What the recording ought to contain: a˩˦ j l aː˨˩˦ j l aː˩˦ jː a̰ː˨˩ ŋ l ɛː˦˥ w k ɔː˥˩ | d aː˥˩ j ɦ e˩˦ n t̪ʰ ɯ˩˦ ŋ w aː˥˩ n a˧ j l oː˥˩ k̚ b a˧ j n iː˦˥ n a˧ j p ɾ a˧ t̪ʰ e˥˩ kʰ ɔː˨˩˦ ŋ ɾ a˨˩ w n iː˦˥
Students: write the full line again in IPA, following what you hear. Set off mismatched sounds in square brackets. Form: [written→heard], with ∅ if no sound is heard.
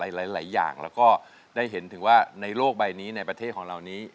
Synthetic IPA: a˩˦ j l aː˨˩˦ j l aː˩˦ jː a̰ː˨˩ ŋ l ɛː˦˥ w k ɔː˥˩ | d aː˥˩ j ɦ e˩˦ n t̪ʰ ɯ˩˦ ŋ w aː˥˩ n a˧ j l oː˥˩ k̚ b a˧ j n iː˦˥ n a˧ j p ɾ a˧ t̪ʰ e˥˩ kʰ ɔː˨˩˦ ŋ ɾ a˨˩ w n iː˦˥

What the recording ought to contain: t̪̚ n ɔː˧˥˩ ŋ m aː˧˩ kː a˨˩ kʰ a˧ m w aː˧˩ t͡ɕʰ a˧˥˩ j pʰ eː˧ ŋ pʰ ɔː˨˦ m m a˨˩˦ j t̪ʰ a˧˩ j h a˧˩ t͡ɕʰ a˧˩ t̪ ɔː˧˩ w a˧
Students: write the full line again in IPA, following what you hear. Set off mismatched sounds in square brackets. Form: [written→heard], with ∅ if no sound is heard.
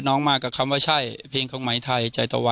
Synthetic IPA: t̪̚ n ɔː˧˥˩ ŋ m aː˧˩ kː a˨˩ kʰ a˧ m w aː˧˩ t͡ɕʰ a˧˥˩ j pʰ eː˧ ŋ [pʰ→kʰ] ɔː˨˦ [m→ŋ] m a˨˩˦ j t̪ʰ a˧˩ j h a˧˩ [t͡ɕʰ→t͡ɕ] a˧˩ t̪ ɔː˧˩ w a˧

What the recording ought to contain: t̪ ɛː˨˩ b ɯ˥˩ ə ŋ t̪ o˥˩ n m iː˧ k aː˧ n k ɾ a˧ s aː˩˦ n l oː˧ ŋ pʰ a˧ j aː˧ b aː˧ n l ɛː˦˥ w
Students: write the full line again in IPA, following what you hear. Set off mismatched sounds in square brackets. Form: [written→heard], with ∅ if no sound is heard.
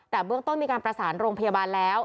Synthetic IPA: t̪ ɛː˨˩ b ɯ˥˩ ə ŋ t̪ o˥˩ n m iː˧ k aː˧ n [k→p] ɾ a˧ s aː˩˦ n [l→ɾ] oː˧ ŋ pʰ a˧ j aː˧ b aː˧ n l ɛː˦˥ w

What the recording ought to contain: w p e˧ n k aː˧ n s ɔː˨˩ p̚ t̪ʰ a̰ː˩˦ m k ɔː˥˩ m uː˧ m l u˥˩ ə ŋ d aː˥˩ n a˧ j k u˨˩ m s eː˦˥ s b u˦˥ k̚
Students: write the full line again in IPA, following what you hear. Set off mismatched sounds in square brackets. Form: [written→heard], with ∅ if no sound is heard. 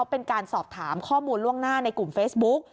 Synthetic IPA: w p e˧ n k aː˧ n s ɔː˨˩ p̚ t̪ʰ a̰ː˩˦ m [k→kʰ] ɔː˥˩ m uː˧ [m→n] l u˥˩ ə ŋ [d→n] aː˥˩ n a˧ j k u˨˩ m [s→f] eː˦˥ s b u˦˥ k̚

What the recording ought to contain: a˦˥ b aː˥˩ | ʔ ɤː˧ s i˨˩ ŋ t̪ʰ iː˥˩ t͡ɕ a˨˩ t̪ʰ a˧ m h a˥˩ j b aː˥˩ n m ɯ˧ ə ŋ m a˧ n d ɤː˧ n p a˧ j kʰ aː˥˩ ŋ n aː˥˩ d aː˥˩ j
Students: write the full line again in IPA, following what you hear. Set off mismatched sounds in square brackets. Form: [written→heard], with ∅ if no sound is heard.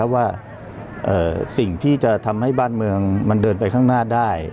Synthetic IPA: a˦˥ [b→w] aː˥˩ | ʔ [ɤː˧→ɤː˨˩] s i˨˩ ŋ t̪ʰ iː˥˩ t͡ɕ a˨˩ t̪ʰ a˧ m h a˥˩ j b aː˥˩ n m ɯ˧ ə ŋ m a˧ n d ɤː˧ n p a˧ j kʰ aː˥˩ ŋ n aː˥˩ d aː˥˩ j

